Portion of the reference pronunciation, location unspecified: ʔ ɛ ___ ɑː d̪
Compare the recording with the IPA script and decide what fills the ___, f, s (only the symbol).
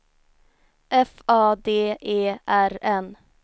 f